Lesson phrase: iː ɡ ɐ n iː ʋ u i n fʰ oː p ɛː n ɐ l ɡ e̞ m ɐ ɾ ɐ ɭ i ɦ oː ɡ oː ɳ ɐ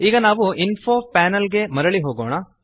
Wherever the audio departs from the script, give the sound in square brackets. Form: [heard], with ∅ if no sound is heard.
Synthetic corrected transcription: iː ɡ ɐ n [aː] ʋ u i n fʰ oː p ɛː n ɐ l ɡ e̞ m ɐ ɾ ɐ ɭ i ɦ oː ɡ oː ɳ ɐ